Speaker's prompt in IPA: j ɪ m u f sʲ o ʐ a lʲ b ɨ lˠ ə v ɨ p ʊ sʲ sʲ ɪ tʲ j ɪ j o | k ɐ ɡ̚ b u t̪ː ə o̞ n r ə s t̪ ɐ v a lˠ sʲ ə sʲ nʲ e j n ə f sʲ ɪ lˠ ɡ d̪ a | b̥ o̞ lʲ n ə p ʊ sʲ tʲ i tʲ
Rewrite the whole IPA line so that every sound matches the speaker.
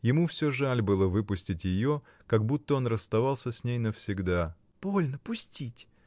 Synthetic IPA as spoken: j ɪ m u f sʲ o ʐ a lʲ b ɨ lˠ ə v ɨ p ʊ sʲ tʲ ɪ tʲ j ɪ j o | k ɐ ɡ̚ b u t̪ː ə o̞ n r ə s t̪ ɐ v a lˠ sʲ ə sʲ nʲ e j n ə f sʲ ɪ ɡ d̪ a | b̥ o̞ lʲ n ə p ʊ sʲ tʲ i tʲ